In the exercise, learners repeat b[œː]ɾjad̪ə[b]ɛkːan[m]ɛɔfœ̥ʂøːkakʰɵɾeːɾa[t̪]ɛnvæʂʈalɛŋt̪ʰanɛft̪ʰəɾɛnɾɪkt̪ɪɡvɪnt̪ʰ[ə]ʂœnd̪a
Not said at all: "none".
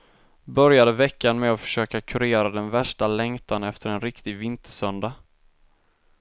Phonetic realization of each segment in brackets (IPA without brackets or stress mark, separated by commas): œ, v, m, d̪, ə